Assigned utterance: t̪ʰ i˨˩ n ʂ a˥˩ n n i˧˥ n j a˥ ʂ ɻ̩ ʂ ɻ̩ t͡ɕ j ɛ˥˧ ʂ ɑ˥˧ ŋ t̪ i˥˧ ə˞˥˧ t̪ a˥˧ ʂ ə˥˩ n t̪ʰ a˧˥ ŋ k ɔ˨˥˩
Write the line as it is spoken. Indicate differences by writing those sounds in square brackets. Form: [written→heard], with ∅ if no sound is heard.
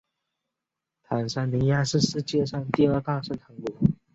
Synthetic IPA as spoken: t̪ʰ [i˨˩→a˨˩] n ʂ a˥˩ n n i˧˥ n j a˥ ʂ ɻ̩ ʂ ɻ̩ t͡ɕ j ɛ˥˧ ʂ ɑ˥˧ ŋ t̪ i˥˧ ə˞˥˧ t̪ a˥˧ ʂ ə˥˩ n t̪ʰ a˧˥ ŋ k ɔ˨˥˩